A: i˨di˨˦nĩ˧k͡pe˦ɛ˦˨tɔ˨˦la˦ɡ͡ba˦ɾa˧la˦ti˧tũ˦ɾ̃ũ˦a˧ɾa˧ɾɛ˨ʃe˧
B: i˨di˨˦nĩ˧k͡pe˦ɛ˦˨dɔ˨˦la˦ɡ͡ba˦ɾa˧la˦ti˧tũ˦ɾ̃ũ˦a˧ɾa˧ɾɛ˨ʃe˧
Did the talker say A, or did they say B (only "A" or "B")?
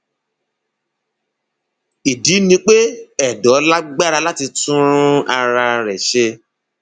B